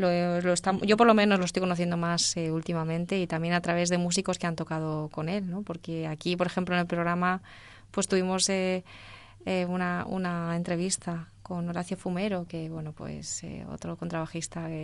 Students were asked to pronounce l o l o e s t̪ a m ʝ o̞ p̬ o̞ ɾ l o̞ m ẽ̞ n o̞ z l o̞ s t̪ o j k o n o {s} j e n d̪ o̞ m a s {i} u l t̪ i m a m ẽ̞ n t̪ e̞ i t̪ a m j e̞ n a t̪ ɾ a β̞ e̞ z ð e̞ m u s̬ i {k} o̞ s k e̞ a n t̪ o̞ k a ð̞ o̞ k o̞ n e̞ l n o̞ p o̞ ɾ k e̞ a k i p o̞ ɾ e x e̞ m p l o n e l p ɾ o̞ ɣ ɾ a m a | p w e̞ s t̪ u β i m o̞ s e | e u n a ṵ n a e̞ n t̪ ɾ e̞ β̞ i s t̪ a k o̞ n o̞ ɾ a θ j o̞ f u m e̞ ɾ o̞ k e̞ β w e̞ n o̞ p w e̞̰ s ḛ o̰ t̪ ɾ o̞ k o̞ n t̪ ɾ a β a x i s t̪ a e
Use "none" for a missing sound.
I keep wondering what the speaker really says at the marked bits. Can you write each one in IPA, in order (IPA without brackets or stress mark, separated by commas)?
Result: θ, e, k